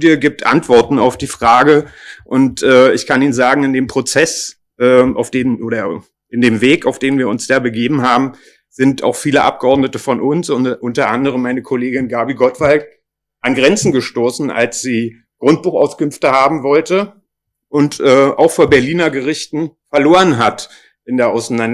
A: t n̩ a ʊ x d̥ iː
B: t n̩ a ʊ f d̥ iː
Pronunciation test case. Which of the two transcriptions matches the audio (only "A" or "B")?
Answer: B